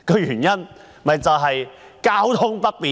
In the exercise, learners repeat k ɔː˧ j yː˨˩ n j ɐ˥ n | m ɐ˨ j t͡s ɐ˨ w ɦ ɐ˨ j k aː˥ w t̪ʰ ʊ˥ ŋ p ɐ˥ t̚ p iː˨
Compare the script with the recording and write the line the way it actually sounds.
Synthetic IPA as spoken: k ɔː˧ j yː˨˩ n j ɐ˥ n | m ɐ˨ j t͡s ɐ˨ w ɦ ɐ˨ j k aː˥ w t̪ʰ ʊ˥ ŋ p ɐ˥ t̚ p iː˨